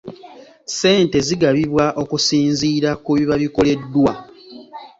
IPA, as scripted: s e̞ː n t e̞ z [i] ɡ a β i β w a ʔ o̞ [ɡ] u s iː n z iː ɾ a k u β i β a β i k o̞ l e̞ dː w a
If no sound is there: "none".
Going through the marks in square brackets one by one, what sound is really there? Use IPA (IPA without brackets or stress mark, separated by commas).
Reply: i, k